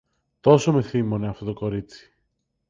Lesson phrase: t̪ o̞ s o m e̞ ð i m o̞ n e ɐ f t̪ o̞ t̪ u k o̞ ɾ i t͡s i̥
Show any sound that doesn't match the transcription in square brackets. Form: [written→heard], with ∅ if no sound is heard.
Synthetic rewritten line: t̪ o̞ s o m e̞ [ð→θ] i m o̞ n e ɐ f t̪ o̞ t̪ [u→o] k o̞ ɾ i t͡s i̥